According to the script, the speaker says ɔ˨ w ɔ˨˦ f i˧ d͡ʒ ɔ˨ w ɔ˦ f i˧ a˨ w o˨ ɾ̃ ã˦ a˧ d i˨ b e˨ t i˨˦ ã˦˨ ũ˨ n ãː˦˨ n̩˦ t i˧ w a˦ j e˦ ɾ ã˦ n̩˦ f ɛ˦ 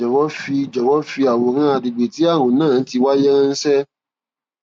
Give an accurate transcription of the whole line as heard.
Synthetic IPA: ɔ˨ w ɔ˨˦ f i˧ d͡ʒ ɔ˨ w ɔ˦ f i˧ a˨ w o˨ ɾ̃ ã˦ a˧ d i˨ ɡ͡b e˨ t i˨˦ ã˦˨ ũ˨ n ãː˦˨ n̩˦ t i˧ w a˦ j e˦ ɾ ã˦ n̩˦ s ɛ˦